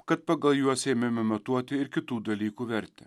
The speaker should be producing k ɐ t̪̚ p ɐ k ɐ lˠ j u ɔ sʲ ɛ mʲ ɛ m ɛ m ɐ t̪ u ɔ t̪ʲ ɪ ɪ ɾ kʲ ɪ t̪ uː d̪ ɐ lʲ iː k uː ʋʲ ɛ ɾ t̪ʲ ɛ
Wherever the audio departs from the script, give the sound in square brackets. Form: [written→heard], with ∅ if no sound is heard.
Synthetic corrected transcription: k ɐ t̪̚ p ɐ [k→ɡ] ɐ lˠ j u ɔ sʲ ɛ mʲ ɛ m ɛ m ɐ t̪ u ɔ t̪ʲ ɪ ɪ ɾ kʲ ɪ t̪ uː d̪ ɐ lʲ iː k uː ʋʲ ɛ ɾ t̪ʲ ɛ